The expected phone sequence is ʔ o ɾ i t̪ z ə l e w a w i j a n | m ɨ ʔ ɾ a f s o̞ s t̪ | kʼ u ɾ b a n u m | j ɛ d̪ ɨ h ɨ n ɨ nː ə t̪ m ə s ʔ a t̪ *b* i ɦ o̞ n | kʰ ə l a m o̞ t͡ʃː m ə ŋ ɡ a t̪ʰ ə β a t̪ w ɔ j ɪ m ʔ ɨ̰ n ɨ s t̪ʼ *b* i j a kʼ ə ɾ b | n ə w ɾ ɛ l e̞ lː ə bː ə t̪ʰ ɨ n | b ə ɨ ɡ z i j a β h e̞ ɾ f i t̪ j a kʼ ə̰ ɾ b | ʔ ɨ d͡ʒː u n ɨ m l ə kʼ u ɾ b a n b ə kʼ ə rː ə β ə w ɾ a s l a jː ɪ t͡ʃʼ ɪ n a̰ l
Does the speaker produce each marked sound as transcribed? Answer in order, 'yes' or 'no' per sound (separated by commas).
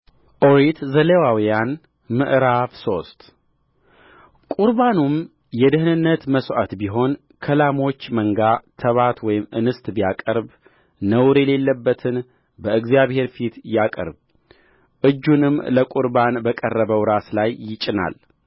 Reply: yes, yes